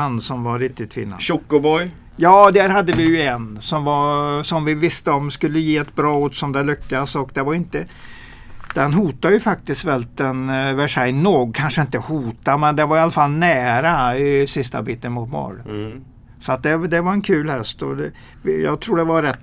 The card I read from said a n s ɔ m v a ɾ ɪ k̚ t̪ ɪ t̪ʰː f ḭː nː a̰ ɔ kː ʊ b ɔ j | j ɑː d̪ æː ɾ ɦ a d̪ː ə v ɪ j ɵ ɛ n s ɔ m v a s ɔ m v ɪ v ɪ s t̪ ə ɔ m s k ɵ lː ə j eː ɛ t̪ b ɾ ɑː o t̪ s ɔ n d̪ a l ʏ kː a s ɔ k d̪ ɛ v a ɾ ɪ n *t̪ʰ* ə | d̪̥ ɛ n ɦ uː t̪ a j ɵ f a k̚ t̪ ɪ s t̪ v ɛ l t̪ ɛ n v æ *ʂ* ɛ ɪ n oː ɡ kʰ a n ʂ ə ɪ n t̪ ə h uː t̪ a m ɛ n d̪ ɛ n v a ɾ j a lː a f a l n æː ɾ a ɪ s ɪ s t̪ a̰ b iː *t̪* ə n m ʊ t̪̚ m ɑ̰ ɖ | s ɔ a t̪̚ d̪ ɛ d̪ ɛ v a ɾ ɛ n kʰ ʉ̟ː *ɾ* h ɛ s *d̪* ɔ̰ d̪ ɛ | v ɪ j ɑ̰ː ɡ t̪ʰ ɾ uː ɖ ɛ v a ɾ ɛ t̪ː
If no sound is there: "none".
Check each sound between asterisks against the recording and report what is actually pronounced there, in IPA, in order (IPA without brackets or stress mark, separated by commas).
t̪, ʂ, t̪, l, t̪